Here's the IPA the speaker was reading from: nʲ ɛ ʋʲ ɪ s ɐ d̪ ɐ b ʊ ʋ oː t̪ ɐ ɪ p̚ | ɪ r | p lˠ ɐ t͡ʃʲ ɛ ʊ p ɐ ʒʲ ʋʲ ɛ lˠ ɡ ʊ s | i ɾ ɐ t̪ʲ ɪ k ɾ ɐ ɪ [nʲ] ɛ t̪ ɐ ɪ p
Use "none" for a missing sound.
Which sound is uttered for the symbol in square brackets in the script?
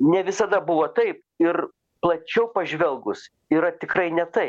nʲ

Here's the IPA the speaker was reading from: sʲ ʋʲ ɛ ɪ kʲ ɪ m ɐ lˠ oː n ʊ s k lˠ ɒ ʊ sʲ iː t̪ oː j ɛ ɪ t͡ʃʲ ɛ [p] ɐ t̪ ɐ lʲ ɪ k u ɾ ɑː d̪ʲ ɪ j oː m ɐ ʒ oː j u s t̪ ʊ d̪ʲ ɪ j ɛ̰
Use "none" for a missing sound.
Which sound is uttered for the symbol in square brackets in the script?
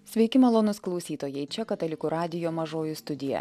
k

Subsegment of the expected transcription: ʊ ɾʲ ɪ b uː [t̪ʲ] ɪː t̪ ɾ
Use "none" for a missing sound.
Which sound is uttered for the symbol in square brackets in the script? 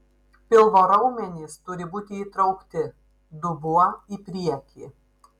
t̪ʲ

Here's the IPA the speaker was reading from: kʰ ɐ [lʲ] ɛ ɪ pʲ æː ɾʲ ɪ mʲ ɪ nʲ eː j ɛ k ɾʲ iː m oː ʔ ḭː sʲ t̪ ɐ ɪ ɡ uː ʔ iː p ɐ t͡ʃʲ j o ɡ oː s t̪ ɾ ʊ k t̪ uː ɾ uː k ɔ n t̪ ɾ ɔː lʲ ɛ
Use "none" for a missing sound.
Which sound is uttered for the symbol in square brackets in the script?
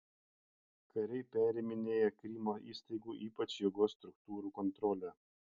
ɾʲ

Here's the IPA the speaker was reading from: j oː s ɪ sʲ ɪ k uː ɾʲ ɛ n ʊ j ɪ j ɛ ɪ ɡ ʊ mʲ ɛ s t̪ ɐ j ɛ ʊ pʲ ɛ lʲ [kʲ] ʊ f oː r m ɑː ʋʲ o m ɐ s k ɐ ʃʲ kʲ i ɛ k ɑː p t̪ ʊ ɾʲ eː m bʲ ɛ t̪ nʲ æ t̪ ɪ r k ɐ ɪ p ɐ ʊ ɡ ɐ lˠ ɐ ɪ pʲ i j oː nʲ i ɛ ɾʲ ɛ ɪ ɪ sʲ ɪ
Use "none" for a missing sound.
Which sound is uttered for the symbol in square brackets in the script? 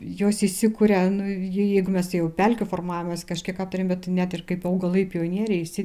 kʲ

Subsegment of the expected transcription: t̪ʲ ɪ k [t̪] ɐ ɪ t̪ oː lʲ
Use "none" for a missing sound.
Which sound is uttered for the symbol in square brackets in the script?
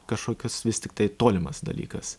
t̪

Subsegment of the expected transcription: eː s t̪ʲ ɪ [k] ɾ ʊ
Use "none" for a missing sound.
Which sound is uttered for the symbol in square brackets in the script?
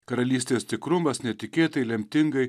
k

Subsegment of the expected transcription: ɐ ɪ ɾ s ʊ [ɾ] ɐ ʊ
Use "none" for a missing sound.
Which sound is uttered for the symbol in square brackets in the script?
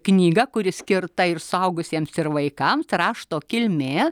none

